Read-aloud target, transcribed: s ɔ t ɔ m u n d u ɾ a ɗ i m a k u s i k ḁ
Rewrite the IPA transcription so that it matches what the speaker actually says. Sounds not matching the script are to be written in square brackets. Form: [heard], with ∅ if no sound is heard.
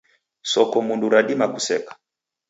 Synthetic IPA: s ɔ [k] ɔ m u n d u ɾ a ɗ i m a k u s [ɛ] k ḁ